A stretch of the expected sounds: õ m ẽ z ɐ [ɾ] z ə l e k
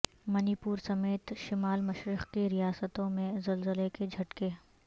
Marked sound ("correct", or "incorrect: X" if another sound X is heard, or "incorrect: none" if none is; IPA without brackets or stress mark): incorrect: l